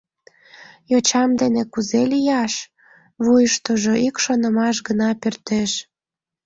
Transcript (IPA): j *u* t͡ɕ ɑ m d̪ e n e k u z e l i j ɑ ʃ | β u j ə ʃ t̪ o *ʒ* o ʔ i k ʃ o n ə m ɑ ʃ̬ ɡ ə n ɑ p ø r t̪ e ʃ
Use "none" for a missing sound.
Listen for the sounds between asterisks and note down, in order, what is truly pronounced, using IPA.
o, ʒ

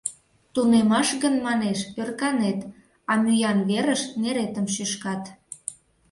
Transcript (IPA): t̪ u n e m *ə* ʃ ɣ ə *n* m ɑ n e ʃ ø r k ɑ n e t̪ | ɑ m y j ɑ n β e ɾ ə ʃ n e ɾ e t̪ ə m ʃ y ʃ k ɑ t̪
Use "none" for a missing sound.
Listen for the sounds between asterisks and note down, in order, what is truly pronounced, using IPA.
ɑ, n

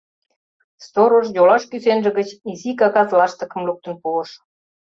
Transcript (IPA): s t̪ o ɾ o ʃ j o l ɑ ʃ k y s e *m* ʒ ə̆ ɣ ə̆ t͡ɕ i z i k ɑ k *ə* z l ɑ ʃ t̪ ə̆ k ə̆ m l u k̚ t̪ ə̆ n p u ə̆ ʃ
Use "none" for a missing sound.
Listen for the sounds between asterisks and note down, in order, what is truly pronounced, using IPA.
n, ɑ

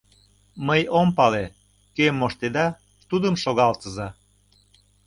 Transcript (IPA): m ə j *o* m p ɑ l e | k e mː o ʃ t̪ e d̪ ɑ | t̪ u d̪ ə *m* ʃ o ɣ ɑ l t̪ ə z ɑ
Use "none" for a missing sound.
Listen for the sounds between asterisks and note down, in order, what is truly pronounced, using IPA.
o, m

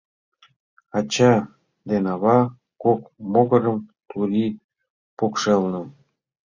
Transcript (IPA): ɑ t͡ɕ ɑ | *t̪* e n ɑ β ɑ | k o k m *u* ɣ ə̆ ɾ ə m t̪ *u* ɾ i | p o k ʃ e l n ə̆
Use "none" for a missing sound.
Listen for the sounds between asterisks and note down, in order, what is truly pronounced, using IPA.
d̪, o, u

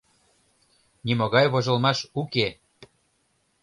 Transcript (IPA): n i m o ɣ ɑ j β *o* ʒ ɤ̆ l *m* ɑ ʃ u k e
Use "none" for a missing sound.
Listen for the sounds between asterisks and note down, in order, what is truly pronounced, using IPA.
o, m

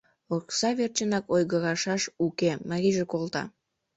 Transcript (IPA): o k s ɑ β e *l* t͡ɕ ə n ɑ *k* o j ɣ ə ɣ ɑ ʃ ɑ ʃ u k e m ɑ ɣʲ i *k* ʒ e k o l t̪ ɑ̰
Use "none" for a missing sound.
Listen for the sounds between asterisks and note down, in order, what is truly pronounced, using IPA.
r, k, none

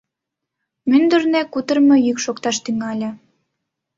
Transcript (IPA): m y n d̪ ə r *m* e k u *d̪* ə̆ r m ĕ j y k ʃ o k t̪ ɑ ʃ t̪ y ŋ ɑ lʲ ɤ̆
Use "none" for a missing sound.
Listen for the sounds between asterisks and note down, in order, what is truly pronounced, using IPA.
n, t̪

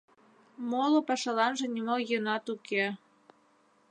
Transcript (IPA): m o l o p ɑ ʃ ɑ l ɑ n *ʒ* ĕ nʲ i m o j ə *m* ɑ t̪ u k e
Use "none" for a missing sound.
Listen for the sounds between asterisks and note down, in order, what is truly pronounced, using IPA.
ʒ, n

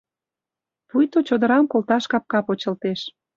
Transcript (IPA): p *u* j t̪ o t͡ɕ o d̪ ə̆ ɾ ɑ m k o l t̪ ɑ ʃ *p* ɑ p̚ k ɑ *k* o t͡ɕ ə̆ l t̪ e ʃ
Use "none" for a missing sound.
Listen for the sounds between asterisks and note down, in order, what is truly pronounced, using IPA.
u, k, p

